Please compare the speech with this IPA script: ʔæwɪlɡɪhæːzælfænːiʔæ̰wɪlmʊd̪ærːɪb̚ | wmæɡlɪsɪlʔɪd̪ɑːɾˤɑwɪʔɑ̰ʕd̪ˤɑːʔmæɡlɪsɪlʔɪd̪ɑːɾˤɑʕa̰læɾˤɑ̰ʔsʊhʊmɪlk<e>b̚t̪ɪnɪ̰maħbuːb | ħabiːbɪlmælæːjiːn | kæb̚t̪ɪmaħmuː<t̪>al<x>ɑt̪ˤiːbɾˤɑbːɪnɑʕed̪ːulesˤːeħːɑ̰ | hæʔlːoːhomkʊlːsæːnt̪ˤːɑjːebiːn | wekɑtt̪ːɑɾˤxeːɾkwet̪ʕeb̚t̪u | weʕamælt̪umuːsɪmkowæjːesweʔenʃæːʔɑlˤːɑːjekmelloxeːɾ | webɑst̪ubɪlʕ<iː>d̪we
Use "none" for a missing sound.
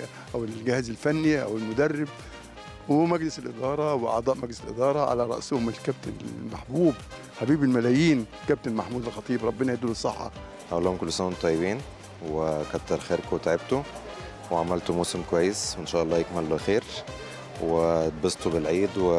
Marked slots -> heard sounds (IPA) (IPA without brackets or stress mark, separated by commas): æ, d̪, x, iː